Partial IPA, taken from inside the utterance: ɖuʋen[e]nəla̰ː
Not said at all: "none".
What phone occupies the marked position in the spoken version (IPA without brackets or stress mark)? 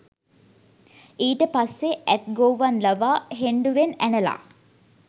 æ